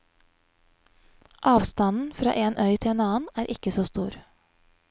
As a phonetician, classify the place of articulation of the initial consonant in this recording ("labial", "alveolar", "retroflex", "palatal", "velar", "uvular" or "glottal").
glottal